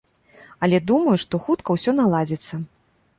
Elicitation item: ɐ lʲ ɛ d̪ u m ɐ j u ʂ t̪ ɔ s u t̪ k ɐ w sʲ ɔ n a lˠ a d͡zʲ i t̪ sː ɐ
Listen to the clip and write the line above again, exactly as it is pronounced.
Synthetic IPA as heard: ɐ lʲ ɛ d̪ u m ɐ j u ʂ t̪ ɔ x u t̪ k ɐ w sʲ ɔ n a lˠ a d͡zʲ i t̪ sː ɐ